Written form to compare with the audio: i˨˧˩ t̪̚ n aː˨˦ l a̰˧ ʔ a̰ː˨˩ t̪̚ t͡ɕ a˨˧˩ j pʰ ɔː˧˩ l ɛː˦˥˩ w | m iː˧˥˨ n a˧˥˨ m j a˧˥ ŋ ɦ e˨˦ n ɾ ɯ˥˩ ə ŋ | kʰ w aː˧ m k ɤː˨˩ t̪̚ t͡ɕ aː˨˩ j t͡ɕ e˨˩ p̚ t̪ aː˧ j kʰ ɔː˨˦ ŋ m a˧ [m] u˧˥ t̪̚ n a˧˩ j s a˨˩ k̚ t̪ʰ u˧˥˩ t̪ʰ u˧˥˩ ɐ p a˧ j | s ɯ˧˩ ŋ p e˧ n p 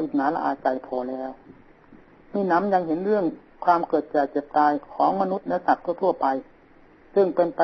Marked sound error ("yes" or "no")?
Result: yes